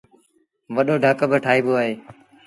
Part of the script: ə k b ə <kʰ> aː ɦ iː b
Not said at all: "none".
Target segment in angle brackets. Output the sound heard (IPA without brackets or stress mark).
ʈʰ